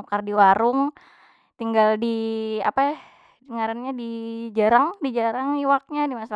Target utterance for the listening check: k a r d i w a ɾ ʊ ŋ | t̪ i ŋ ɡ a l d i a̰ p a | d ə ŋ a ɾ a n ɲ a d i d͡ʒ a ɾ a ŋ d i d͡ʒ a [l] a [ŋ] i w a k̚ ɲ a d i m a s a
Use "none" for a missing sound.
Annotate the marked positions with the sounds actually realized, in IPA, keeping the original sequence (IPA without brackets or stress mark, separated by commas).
ɾ, ŋ